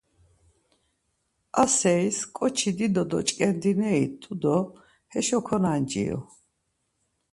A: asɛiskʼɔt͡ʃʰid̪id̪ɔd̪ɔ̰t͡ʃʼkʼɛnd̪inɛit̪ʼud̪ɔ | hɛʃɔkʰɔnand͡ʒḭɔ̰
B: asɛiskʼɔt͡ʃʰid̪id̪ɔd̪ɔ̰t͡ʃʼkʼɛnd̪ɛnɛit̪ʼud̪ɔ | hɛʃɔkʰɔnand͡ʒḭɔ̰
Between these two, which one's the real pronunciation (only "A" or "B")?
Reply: A